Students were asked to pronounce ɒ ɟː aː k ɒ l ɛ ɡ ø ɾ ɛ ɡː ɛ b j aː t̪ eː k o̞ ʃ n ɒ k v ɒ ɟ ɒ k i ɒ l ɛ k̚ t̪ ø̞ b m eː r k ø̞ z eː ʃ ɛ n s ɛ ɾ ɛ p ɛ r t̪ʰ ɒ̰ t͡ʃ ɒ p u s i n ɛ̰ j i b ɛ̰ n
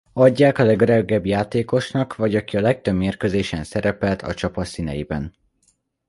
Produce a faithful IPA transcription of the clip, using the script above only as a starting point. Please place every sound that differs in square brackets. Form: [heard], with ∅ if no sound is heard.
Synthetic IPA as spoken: ɒ ɟː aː k ɒ l ɛ ɡ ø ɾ ɛ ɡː ɛ b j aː t̪ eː k o̞ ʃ n ɒ k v ɒ ɟ ɒ k i ɒ l ɛ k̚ t̪ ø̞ b m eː r k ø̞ z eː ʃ ɛ n s ɛ ɾ ɛ p ɛ [l] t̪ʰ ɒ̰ t͡ʃ ɒ p [ɒ] s i n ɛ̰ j i b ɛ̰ n